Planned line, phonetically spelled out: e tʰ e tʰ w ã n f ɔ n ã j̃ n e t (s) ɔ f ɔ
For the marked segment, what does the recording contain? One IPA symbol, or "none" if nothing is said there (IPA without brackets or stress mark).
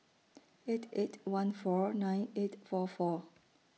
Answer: f